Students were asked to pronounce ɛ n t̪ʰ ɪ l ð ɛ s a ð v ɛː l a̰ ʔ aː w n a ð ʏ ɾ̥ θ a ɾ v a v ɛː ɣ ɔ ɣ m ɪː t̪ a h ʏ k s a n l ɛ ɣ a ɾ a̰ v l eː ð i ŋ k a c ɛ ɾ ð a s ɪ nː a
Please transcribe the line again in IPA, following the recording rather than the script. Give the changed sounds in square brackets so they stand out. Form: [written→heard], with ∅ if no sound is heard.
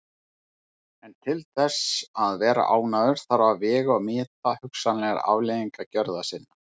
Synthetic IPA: ɛ n t̪ʰ ɪ l [ð→θ] ɛ s a ð v ɛː [l→ɾ] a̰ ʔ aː w n a ð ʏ ɾ̥ θ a ɾ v a v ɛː ɣ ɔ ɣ m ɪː t̪ a h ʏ k s a n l ɛ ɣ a ɾ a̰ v l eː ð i ŋ k a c [ɛ→œ] ɾ ð a s ɪ nː a

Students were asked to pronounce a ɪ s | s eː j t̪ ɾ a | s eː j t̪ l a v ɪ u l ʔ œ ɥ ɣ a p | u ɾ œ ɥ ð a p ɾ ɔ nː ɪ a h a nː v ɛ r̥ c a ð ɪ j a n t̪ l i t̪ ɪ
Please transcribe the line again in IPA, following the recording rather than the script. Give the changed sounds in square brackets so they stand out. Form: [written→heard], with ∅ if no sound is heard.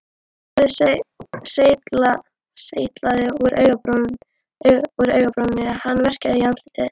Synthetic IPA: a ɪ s | s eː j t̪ [ɾ→l] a | s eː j t̪ l a [v→ð] ɪ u [l→ɾ] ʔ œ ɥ ɣ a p | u ɾ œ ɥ [ð→ɣ] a p ɾ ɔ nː ɪ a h a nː v ɛ r̥ c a ð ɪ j a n t̪ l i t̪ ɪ

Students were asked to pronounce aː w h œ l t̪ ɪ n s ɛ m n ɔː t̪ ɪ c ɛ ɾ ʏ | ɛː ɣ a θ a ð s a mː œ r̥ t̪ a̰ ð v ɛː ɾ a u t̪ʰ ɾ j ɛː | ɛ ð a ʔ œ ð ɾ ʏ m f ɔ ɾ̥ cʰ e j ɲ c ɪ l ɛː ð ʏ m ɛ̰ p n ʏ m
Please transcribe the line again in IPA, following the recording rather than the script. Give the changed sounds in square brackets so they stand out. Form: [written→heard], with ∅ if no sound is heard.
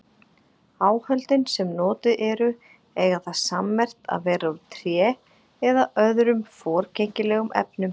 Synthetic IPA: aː w h œ l t̪ ɪ n s ɛ m n ɔː t̪ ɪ [c→ʔ] ɛ ɾ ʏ | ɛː ɣ a θ a ð s a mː [œ→ɛ] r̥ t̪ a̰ ð v ɛː ɾ a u t̪ʰ ɾ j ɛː | ɛ ð a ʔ œ ð ɾ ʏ m f [ɔ→ɔː] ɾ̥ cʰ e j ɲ c ɪ l ɛː [ð→ɣ] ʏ m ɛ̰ p n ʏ m

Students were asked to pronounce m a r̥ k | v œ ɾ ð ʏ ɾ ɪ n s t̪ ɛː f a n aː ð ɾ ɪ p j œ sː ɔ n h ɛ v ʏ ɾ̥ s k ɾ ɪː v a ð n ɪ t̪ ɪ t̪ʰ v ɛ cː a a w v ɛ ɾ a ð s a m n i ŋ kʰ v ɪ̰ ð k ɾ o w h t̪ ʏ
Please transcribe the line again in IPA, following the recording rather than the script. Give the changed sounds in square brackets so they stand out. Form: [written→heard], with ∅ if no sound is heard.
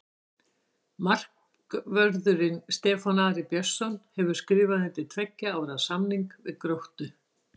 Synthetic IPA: m a r̥ k | v œ ɾ ð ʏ ɾ ɪ n s t̪ ɛː f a n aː ð ɾ ɪ p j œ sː ɔ n h ɛ v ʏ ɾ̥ s k ɾ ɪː v a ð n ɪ t̪ ɪ t̪ʰ v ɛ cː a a w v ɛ ɾ a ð s a m n i ŋ [kʰ→k] v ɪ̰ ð k ɾ o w h t̪ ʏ

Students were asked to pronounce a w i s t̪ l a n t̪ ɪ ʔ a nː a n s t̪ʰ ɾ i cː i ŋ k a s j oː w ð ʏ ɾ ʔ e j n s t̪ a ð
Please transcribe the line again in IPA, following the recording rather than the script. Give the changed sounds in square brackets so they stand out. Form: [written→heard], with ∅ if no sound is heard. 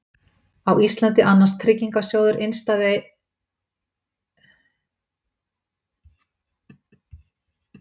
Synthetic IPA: a w i s t̪ l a n t̪ ɪ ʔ a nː a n s t̪ʰ ɾ [i→ɪ] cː i ŋ k a s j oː w ð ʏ ɾ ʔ e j n s t̪ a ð

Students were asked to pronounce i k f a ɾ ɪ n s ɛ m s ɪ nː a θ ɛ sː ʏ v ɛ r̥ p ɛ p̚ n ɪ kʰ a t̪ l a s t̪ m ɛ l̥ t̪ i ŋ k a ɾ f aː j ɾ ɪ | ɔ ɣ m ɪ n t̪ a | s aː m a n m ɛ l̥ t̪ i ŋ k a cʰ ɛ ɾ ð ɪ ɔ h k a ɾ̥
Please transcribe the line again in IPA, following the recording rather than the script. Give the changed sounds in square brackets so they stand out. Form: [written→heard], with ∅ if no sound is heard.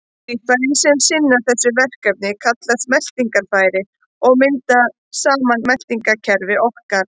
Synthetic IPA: i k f a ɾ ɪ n s ɛ m s ɪ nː a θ ɛ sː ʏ v ɛ r̥ [p→k] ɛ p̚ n ɪ kʰ a t̪ l a s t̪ m ɛ l̥ t̪ i ŋ k a ɾ f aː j ɾ ɪ | ɔ ɣ m ɪ n t̪ a | s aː m a n m ɛ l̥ t̪ i ŋ k a cʰ ɛ ɾ [ð→v] ɪ ɔ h k a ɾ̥

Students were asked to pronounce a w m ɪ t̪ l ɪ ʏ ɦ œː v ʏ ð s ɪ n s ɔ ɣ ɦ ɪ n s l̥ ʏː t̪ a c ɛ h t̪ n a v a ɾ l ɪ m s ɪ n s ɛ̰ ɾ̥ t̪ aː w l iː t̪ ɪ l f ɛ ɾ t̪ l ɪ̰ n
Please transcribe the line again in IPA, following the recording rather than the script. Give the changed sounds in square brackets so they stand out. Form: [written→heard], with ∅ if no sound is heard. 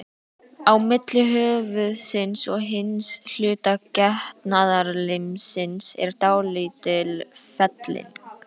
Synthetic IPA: a w m ɪ t̪ l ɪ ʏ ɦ œː v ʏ ð s ɪ n s ɔ ɣ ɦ ɪ n s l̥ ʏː t̪ a c ɛ h t̪ n a [v→ð] a ɾ l ɪ m s ɪ n s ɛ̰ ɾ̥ t̪ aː w l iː t̪ ɪ l f ɛ [ɾ→∅] t̪ l ɪ̰ n

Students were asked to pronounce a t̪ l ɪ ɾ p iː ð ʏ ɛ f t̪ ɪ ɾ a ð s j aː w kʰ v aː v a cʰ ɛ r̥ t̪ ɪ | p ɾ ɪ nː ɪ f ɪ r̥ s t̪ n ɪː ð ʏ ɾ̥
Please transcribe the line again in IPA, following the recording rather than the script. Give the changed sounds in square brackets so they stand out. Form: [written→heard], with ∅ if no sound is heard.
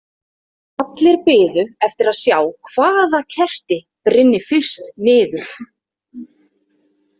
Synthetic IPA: a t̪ l ɪ ɾ p [iː→ɪː] ð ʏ ɛ f t̪ ɪ ɾ a ð s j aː w kʰ v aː [v→ð] a cʰ ɛ r̥ t̪ ɪ | p ɾ ɪ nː ɪ f ɪ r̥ s t̪ n ɪː ð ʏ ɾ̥

